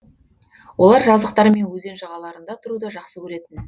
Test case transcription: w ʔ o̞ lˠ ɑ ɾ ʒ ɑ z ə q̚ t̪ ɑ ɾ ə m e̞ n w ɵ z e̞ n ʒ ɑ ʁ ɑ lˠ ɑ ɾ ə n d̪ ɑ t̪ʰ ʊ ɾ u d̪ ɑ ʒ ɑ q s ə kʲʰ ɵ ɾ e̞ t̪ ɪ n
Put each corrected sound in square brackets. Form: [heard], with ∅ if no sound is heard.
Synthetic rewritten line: w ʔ o̞ lˠ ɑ ɾ ʒ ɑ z ə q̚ t̪ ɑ ɾ ə m e̞ n w ɵ z e̞ n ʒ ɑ ʁ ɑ lˠ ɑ ɾ ə n d̪ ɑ t̪ʰ ʊ ɾ u d̪ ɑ ʒ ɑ q s ə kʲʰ ɵ ɾ e̞ t̪ ɪ n